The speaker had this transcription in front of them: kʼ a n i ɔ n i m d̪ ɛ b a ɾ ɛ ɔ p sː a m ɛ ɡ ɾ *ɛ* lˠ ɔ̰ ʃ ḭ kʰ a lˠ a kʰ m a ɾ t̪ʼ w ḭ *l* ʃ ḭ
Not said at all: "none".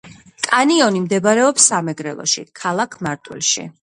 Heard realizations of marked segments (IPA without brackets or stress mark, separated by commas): ɛ, l